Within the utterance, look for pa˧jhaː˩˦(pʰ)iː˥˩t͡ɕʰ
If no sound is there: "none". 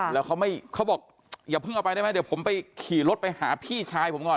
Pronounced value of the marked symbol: pʰ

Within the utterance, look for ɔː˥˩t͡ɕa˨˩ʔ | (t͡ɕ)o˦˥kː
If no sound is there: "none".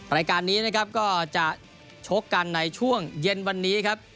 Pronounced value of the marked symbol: t͡ɕʰ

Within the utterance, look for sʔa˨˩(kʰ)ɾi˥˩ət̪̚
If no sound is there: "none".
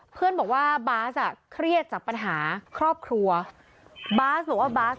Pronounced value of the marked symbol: kʰ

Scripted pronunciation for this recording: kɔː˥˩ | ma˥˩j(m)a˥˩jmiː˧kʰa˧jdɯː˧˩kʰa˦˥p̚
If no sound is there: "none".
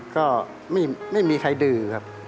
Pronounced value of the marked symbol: m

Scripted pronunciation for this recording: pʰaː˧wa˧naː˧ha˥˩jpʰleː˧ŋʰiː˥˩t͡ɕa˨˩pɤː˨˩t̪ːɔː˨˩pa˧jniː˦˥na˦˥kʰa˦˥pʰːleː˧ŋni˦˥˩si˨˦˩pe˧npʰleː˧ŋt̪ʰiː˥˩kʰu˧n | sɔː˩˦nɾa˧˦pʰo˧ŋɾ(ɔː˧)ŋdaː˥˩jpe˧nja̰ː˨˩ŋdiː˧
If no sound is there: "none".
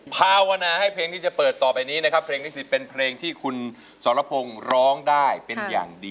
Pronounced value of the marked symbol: ɔː˦˥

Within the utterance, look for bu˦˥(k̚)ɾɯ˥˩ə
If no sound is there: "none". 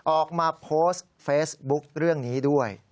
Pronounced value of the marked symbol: k̚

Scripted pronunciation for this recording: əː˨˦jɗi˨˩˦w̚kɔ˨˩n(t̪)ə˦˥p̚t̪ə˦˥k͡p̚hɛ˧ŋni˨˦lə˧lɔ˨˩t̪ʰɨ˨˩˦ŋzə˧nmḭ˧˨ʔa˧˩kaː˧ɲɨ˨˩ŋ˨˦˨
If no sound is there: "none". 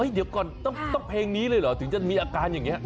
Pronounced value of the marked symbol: t̪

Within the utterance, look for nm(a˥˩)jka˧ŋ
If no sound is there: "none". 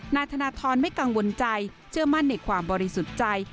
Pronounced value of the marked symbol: a˥˩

